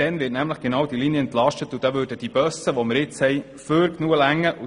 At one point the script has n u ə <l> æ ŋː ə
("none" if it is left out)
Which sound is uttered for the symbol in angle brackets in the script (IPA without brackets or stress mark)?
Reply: l